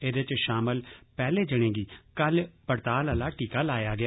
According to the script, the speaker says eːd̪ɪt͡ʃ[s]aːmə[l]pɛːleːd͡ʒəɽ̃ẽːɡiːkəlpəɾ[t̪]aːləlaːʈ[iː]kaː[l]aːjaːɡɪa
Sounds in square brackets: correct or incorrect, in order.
incorrect: ʃ, correct, correct, correct, correct

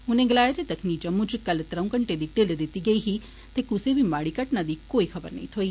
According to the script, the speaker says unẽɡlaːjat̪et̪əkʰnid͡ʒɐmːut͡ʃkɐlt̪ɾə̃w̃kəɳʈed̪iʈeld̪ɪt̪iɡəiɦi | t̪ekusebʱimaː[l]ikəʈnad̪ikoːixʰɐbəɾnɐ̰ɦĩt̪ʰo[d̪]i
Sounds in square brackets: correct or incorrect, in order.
incorrect: ɽ, incorrect: none

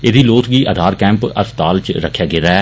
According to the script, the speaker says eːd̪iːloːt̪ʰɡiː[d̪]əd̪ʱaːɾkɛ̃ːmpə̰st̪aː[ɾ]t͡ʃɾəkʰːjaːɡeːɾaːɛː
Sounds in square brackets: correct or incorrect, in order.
incorrect: none, incorrect: l

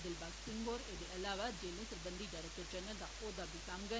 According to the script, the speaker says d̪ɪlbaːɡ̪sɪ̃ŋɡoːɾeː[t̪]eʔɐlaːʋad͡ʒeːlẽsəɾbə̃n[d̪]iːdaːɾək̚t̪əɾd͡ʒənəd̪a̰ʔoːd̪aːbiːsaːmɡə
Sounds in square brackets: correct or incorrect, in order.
incorrect: d̪, correct

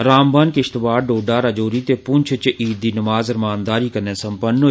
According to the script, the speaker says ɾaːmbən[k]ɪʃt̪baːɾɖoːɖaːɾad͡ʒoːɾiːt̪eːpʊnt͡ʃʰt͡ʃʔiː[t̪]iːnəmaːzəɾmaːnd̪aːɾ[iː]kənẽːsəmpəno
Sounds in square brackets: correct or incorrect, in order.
correct, incorrect: d̪, correct

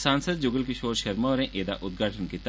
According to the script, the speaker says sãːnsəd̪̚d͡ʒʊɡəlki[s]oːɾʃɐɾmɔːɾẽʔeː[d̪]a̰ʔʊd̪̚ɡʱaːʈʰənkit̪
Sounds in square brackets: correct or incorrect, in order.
incorrect: ʃ, correct

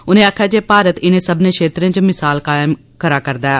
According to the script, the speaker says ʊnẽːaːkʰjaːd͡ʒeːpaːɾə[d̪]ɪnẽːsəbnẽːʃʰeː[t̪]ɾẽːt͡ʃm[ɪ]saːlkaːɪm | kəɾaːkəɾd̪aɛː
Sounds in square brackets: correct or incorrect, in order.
incorrect: t̪, correct, correct

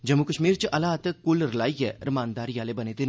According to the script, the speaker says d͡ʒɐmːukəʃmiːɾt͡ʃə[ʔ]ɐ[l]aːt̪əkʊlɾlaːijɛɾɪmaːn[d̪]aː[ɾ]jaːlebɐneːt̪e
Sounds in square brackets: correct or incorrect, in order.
correct, correct, correct, correct

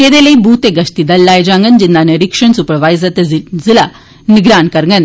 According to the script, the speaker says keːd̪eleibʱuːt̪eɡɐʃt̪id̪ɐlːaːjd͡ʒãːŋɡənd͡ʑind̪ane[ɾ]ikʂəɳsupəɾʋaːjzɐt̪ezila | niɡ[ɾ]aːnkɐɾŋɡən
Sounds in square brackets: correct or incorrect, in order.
correct, correct

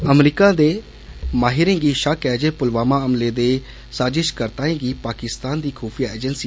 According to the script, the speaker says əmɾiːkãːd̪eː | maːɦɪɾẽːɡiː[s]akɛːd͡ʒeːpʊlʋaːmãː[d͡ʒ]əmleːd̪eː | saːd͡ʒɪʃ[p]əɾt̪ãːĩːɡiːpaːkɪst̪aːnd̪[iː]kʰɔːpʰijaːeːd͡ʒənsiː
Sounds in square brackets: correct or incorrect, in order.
incorrect: ʃ, incorrect: none, incorrect: k, correct

